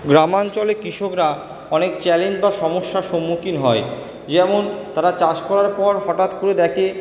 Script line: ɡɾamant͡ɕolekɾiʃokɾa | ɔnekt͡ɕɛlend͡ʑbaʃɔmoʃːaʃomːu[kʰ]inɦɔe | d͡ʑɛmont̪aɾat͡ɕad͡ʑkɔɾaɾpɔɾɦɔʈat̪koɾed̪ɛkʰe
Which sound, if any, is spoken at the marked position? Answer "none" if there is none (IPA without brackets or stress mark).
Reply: k